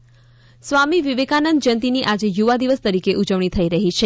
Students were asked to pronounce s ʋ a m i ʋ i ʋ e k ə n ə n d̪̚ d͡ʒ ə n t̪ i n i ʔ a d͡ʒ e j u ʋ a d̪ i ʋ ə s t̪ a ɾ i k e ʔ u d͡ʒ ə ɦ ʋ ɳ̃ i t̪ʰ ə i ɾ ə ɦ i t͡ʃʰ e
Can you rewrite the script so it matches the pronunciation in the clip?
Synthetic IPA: s ʋ a m i ʋ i ʋ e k a n ə n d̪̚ d͡ʒ ə n t̪ i n i ʔ a d͡ʒ e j u ʋ a d̪ i ʋ ə s t̪ ə ɾ i k e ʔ u d͡ʒ ə ʋ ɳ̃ i t̪ʰ ə i ɾ ə ɦ i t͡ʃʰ e